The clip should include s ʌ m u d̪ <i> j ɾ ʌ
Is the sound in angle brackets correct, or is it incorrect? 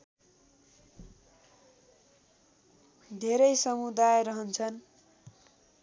incorrect